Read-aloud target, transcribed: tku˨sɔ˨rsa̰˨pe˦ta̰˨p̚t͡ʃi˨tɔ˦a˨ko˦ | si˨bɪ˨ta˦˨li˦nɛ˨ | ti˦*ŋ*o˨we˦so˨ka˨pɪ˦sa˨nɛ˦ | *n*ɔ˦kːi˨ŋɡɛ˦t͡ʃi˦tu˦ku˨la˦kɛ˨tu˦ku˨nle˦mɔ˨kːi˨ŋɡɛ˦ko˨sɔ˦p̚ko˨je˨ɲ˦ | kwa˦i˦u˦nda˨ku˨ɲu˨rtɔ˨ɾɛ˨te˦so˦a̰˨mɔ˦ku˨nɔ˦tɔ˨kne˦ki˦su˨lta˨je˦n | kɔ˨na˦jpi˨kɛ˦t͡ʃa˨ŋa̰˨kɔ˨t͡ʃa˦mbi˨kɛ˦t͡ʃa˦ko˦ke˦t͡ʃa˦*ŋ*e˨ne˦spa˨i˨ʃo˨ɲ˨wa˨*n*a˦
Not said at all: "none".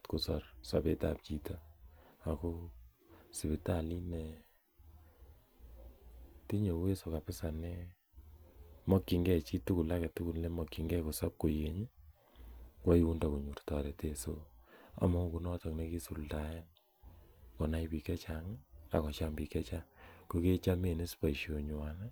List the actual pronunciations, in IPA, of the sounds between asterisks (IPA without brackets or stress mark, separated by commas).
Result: ɲ, m, m, n